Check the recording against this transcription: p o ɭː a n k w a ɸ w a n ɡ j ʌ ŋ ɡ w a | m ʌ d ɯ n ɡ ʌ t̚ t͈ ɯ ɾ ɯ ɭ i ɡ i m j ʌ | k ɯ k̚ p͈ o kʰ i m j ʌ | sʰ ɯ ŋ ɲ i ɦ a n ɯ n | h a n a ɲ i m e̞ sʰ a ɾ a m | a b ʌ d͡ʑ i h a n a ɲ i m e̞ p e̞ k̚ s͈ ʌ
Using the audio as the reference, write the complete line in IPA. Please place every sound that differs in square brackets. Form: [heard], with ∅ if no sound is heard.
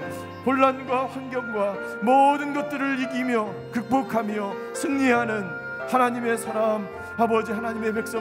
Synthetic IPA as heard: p o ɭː a n [ɡ] w a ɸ w a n ɡ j ʌ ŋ ɡ w a | m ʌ d ɯ n ɡ ʌ t̚ t͈ ɯ ɾ ɯ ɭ i ɡ i m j ʌ | k ɯ k̚ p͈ o kʰ [a] m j ʌ | sʰ ɯ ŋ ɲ i ɦ a n ɯ n | h a n a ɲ i m e̞ sʰ a ɾ a m | a b ʌ d͡ʑ i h a n a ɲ i m e̞ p e̞ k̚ s͈ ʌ